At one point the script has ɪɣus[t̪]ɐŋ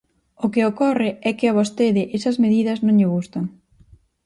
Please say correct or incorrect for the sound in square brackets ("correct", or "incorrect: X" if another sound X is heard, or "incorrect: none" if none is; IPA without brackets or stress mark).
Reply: correct